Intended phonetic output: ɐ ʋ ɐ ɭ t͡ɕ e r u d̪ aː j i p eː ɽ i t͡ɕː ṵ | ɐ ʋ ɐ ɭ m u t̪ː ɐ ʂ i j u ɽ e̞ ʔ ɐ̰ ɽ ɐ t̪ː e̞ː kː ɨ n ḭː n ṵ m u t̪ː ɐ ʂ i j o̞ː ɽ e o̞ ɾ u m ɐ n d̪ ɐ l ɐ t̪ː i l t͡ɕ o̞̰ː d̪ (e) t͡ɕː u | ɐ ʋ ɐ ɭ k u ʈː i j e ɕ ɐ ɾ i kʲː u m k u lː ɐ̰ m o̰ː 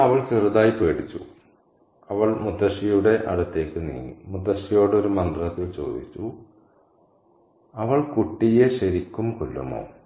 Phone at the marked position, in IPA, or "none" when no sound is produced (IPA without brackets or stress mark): i